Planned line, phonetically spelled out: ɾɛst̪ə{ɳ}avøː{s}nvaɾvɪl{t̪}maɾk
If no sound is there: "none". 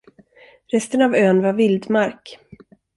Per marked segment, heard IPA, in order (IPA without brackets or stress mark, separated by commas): n, none, d̪